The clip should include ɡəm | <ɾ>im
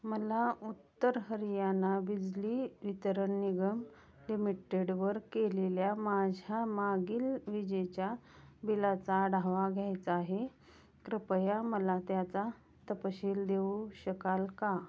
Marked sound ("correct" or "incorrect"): incorrect